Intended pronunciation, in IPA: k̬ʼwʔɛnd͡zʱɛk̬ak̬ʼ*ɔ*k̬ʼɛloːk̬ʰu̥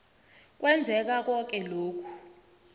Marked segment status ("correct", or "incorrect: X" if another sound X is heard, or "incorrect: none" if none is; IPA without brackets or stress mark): correct